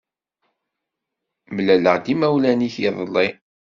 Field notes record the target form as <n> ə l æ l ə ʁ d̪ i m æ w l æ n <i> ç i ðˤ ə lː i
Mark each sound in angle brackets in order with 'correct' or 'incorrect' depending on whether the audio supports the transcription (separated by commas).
incorrect, correct